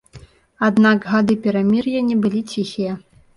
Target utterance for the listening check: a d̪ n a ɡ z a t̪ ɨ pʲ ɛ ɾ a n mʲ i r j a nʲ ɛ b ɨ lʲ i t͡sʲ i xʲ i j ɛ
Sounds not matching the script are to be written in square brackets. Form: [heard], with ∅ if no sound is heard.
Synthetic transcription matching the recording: a d̪ n a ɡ [ɣ] a [d̪] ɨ pʲ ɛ ɾ a [∅] mʲ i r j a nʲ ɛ b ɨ lʲ i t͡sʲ i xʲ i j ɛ